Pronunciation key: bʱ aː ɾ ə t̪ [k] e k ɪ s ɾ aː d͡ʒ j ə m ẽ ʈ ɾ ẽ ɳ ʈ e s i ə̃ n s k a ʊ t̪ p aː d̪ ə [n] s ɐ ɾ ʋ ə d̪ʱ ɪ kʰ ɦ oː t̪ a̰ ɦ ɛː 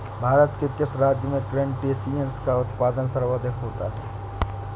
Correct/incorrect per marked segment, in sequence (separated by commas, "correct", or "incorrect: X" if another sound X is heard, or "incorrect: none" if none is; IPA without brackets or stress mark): correct, correct